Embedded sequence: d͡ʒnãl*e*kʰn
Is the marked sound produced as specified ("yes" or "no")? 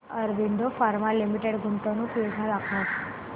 no